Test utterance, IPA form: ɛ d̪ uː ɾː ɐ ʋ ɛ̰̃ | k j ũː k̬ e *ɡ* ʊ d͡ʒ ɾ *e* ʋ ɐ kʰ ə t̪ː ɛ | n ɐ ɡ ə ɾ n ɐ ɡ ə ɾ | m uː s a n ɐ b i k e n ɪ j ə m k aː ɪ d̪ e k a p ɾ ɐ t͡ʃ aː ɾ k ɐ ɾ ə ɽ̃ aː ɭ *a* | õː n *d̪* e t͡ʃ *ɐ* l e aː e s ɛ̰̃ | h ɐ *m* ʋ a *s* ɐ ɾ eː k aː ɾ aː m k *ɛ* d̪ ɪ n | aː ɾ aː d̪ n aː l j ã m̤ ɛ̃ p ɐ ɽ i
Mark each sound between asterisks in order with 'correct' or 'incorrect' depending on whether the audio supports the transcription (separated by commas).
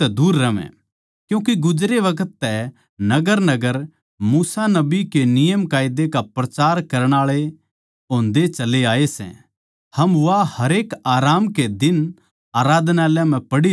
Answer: correct, correct, incorrect, correct, correct, correct, incorrect, incorrect